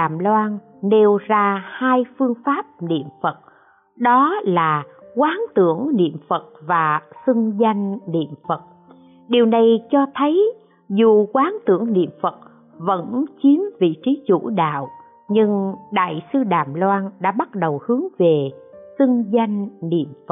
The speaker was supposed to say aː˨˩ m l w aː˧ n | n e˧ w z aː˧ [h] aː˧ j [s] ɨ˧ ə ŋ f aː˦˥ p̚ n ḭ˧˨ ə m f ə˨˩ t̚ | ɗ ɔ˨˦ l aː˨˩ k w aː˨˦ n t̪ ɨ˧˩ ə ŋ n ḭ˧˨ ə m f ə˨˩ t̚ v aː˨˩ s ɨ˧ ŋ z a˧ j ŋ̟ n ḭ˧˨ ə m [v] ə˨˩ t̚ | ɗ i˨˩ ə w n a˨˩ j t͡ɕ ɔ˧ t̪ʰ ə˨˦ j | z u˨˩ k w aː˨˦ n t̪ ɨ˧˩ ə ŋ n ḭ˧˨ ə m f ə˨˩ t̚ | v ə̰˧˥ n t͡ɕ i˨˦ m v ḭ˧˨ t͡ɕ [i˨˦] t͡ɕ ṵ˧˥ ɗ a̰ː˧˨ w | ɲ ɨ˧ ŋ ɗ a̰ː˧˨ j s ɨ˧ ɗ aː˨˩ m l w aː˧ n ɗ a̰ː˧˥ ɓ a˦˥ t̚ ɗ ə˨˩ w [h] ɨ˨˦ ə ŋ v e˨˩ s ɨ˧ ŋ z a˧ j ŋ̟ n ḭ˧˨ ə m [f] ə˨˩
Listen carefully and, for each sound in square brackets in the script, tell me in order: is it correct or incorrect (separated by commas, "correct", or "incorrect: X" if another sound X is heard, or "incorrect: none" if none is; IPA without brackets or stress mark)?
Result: correct, incorrect: f, incorrect: f, correct, correct, correct